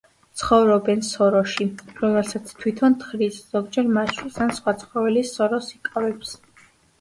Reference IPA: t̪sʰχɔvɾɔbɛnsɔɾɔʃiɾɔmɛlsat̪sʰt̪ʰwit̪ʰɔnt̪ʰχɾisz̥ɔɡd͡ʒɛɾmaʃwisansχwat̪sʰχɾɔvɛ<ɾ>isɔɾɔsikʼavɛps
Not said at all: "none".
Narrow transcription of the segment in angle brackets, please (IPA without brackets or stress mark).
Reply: l